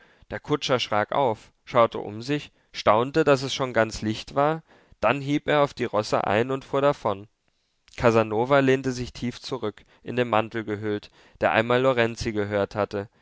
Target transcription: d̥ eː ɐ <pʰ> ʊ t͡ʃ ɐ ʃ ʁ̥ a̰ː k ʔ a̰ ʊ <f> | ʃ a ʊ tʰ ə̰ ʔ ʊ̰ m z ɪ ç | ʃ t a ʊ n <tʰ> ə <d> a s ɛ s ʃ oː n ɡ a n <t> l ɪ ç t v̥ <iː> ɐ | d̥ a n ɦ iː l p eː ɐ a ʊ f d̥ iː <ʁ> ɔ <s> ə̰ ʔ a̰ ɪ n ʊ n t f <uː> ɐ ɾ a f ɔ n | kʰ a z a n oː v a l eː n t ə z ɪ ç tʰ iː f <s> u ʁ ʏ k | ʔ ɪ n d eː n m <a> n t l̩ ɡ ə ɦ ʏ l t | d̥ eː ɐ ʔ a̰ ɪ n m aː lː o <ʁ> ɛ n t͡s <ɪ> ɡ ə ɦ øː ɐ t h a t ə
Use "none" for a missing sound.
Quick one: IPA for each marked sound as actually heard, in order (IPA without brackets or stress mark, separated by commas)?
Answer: kʰ, f, t, d, t͡s, aː, ʁ, s, uː, t͡s, a, ʁ, i